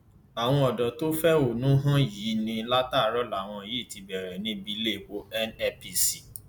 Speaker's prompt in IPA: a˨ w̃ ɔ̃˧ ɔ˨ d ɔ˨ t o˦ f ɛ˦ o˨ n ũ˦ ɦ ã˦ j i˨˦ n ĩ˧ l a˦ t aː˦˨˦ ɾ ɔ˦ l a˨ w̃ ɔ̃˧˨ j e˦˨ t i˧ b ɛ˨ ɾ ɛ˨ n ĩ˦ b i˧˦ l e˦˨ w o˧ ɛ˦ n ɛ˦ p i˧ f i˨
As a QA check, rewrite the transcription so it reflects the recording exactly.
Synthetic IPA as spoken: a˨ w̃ ɔ̃˧ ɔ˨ d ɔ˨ t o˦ f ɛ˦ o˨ n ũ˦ ɦ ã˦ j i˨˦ n ĩ˧ l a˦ t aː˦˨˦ ɾ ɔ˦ l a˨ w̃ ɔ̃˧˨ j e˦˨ t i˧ b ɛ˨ ɾ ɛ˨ n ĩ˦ b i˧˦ l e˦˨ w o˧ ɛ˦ n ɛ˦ p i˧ s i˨

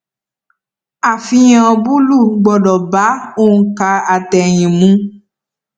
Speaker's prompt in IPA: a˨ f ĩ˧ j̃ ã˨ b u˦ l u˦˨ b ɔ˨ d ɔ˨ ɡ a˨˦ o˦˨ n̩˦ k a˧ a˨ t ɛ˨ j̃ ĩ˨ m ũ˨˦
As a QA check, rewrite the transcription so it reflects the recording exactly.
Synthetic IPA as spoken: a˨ f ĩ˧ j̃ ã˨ b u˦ l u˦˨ ɡ͡b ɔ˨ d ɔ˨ b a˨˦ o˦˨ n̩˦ k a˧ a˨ t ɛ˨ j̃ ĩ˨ m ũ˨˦

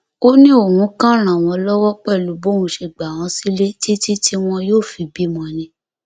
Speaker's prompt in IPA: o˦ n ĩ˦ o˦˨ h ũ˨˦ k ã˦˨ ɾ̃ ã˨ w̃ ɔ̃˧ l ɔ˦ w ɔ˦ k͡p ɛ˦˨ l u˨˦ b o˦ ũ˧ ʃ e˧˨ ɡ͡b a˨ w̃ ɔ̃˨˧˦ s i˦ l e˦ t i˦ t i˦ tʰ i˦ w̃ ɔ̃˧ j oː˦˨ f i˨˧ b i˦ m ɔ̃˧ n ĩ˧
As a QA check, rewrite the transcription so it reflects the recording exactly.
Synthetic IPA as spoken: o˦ n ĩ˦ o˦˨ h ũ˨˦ k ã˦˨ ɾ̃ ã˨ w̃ ɔ̃˧ l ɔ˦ w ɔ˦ k͡p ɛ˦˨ l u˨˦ b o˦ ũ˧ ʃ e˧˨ ɡ͡b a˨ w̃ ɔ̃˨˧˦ s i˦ l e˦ t i˦ t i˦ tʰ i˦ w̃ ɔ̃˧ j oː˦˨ f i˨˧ b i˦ m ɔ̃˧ n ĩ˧

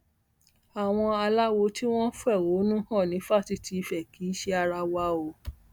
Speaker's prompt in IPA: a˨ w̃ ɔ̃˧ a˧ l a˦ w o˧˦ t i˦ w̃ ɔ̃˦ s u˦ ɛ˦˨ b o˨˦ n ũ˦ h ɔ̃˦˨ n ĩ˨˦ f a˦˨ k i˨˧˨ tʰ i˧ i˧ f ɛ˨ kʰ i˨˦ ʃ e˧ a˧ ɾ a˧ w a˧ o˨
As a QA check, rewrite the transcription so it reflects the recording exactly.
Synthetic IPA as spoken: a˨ w̃ ɔ̃˧ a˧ l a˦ w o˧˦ t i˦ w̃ ɔ̃˦ f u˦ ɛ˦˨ w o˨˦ n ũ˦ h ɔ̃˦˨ n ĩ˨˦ f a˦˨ t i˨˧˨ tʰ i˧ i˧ f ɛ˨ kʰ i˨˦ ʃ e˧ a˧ ɾ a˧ w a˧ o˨

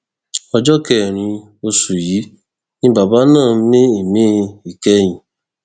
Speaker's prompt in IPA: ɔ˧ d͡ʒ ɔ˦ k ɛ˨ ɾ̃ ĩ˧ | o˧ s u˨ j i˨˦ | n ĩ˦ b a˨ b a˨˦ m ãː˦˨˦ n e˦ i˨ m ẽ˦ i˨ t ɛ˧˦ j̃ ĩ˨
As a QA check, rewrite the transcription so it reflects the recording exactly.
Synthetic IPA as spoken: ɔ˧ d͡ʒ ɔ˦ k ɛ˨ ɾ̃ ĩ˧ | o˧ s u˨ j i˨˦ | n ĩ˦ b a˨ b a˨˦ n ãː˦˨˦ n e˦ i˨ m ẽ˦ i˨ k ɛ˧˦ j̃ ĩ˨

